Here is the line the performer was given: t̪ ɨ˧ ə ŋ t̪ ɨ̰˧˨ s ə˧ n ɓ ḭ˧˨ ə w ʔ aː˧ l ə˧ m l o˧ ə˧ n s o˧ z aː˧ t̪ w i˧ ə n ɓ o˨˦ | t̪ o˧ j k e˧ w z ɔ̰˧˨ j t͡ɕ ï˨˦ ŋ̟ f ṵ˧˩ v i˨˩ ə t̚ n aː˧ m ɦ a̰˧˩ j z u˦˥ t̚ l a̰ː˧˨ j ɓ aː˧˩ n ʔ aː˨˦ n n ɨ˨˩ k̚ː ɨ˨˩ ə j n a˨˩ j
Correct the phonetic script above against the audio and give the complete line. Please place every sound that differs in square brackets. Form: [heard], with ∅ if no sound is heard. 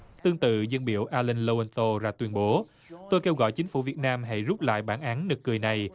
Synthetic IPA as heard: t̪ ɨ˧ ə ŋ t̪ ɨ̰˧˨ [z] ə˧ n ɓ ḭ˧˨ ə w ʔ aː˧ l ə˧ [n] l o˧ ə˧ n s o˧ z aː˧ t̪ w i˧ ə n ɓ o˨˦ | t̪ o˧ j k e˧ w [ɣ] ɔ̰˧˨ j t͡ɕ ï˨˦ ŋ̟ f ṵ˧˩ v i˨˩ ə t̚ n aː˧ m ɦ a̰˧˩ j z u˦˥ [p̚] l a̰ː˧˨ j ɓ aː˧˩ n ʔ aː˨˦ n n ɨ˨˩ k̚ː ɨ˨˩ ə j n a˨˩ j